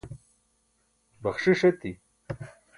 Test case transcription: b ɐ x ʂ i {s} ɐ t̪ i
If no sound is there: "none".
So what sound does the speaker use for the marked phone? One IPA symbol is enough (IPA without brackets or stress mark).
ʂ